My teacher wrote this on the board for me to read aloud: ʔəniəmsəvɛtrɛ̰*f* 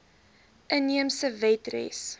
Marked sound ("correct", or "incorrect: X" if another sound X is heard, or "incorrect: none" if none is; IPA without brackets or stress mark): incorrect: s